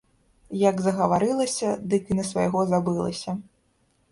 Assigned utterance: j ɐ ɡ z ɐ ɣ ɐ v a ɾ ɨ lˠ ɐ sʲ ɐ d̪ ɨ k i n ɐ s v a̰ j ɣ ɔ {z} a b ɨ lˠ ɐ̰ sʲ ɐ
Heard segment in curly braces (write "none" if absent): z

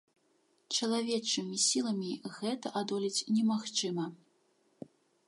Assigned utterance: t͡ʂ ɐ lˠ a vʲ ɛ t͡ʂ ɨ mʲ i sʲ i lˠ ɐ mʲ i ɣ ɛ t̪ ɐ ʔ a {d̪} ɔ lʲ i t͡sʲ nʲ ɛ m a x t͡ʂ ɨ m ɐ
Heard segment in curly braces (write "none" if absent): d̪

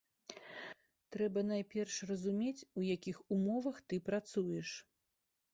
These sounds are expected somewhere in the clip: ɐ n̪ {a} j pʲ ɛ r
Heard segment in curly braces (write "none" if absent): a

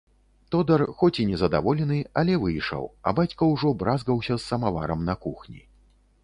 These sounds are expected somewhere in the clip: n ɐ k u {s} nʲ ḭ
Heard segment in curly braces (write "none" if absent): x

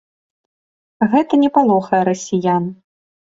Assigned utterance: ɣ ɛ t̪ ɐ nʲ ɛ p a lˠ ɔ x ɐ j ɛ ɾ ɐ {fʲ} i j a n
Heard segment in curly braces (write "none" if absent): sʲ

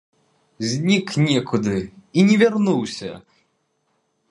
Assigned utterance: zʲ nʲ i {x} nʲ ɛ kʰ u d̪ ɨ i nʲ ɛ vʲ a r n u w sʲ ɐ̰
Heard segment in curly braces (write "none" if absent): k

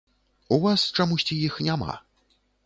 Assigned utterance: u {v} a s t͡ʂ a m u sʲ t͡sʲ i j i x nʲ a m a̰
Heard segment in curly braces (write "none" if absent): v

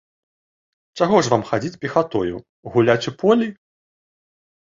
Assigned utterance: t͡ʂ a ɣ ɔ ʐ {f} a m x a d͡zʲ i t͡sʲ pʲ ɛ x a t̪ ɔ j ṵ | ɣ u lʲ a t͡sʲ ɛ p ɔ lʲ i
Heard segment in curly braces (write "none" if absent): v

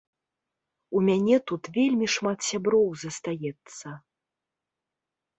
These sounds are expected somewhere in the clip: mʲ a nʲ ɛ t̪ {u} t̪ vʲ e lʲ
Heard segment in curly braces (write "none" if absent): u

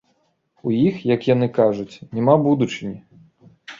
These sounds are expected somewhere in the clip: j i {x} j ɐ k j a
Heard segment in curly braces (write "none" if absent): x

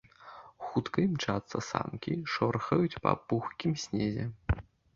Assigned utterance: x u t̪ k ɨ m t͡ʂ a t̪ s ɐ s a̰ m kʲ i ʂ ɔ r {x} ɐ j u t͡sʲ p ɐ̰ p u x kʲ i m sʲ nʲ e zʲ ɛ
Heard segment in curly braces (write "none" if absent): x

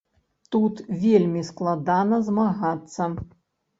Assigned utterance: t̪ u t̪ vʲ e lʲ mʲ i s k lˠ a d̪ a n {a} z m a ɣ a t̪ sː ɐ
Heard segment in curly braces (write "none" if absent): ɐ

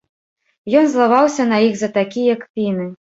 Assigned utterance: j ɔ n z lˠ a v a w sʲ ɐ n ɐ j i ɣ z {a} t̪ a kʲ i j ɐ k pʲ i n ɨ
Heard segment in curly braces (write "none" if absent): ɐ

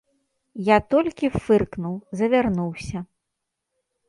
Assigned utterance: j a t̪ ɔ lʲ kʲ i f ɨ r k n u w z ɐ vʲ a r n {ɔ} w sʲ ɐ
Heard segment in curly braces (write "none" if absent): u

